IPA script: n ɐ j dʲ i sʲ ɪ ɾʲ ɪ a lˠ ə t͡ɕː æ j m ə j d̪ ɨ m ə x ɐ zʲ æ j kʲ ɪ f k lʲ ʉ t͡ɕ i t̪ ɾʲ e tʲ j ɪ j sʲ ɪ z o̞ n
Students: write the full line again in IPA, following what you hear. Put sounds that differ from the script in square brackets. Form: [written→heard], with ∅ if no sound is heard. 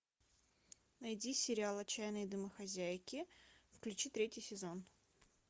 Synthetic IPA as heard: n ɐ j dʲ i sʲ ɪ ɾʲ ɪ a lˠ [ə→ɐ] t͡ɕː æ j [m→n] ə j d̪ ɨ m ə x ɐ zʲ æ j kʲ ɪ f k lʲ ʉ t͡ɕ i t̪ ɾʲ e tʲ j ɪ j sʲ ɪ z o̞ n